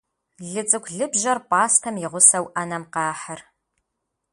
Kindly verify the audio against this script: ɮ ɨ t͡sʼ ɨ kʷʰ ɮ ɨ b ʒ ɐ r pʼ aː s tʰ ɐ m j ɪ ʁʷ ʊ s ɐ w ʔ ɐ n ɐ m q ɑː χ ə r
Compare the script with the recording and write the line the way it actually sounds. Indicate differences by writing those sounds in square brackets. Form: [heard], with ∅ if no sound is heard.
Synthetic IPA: ɮ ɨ t͡sʼ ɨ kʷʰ ɮ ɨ b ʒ ɐ r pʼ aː s tʰ ɐ m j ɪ ʁʷ ʊ s ɐ w ʔ ɐ n ɐ m q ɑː [ħ] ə r